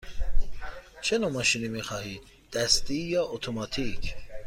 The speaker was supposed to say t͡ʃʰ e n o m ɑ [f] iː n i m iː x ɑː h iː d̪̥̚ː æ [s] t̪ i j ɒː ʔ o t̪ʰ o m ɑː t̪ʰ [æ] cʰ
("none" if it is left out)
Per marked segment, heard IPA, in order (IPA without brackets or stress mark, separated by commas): ʃ, s, i